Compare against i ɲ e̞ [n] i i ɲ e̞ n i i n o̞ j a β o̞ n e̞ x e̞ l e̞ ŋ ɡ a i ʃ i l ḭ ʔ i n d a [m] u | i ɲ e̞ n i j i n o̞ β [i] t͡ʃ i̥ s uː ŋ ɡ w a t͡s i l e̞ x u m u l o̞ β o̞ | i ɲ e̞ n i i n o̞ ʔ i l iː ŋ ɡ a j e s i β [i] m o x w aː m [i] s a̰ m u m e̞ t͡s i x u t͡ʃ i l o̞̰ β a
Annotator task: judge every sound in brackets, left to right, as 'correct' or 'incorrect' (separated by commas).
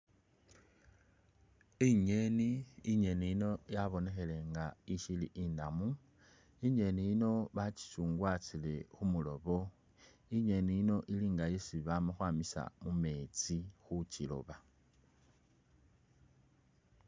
correct, correct, incorrect, incorrect, correct